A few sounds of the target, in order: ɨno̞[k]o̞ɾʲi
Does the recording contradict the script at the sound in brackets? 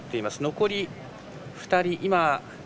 no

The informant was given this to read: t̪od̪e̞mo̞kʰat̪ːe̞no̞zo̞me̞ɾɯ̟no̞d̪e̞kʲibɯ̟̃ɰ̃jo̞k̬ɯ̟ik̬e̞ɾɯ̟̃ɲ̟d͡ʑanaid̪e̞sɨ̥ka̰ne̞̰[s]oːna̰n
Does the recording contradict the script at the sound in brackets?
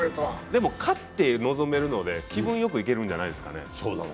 no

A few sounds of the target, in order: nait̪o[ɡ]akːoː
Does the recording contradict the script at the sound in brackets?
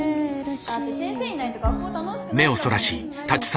no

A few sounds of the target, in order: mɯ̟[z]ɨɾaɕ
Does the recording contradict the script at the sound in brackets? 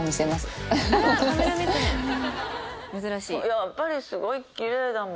no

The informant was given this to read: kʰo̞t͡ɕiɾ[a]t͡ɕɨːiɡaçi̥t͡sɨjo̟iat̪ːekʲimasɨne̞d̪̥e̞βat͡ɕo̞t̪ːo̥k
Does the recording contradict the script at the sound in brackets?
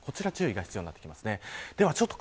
no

